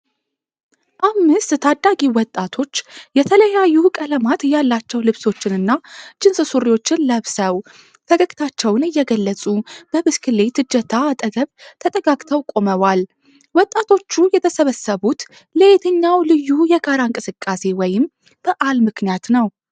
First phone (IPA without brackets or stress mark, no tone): ʔ